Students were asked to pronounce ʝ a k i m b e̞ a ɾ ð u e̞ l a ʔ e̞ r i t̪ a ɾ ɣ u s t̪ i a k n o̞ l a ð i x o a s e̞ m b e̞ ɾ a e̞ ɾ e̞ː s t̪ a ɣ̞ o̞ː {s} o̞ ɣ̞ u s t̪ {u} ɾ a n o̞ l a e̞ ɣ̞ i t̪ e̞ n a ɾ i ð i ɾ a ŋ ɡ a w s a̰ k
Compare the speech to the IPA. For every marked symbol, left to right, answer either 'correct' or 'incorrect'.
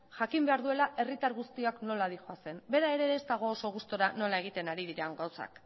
correct, incorrect: o

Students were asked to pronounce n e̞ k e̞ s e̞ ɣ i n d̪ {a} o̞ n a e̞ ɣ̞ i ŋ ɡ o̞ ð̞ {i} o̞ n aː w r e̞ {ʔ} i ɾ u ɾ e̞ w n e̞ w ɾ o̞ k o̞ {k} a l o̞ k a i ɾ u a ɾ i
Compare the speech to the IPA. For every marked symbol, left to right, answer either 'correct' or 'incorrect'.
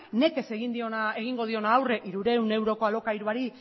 incorrect: i, correct, correct, incorrect: none

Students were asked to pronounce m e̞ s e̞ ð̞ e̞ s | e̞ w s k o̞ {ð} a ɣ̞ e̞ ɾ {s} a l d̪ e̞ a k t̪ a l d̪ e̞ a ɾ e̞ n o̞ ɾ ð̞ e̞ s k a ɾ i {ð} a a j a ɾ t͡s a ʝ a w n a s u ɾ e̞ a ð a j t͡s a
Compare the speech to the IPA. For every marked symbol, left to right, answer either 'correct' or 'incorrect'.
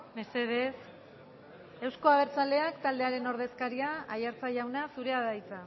incorrect: none, incorrect: t͡s, incorrect: none

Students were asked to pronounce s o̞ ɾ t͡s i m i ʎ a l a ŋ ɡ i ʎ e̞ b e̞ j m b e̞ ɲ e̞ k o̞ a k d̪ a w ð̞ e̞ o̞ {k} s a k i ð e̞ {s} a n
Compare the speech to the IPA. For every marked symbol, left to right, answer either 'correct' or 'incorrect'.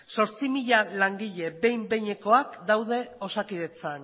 incorrect: none, incorrect: t͡s

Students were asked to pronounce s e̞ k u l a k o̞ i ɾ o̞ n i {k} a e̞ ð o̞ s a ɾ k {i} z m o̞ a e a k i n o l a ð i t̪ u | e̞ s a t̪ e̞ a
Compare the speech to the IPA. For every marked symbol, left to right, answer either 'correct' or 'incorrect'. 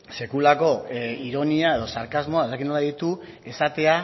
incorrect: none, incorrect: a

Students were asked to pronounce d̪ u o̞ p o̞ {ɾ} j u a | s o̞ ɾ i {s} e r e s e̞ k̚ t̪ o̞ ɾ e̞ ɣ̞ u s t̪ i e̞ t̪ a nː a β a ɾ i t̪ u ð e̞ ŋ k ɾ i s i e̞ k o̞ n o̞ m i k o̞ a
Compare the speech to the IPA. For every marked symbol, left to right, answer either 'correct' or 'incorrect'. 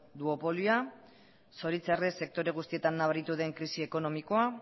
incorrect: l, incorrect: t͡s

